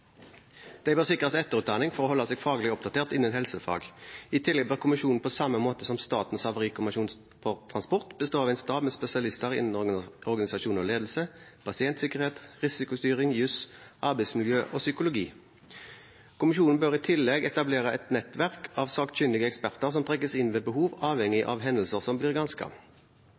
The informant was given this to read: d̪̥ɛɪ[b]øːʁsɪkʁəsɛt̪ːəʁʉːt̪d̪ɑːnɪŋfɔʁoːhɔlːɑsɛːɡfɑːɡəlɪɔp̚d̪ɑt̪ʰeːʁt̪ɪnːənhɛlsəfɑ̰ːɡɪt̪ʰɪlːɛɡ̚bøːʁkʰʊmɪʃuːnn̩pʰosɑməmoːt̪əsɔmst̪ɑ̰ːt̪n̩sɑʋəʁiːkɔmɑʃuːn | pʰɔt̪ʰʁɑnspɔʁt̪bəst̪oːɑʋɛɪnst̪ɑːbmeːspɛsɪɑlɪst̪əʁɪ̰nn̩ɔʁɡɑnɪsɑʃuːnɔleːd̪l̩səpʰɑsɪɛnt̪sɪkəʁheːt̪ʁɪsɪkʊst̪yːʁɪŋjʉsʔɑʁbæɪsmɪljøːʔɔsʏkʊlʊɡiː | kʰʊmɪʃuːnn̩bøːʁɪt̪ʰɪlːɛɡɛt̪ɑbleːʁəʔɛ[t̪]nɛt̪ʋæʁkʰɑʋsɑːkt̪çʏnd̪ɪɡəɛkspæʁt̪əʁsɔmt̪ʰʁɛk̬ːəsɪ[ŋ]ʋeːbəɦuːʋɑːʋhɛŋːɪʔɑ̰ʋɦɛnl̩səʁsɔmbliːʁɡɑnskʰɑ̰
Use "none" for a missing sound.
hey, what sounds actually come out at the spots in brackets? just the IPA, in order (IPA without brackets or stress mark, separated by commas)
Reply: b, t̪, n